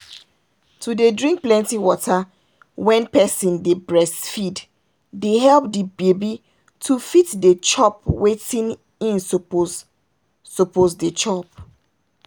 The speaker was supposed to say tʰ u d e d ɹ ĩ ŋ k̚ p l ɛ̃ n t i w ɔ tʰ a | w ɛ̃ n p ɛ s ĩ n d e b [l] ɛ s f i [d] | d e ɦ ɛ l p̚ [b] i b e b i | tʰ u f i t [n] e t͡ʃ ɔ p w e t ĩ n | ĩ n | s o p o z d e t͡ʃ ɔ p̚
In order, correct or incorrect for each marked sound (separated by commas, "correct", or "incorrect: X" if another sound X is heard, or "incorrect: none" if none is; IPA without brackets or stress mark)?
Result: incorrect: ɹ, correct, incorrect: d, incorrect: d